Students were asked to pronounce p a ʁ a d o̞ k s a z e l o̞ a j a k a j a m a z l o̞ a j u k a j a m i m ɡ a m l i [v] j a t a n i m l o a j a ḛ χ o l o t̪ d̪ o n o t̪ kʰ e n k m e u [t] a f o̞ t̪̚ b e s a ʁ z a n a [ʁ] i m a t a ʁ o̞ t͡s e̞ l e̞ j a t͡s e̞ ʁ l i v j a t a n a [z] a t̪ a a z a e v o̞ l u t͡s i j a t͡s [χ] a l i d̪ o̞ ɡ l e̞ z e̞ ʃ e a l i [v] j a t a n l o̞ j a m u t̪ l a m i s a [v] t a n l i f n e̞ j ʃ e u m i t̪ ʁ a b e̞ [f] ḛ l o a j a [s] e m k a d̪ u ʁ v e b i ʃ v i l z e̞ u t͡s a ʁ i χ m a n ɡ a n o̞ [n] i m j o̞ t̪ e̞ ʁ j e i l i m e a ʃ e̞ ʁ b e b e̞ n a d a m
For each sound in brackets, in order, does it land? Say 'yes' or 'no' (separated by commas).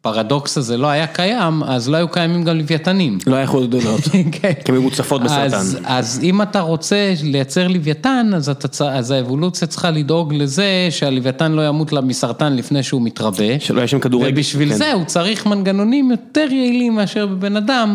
yes, no, no, yes, yes, yes, no, no, no, yes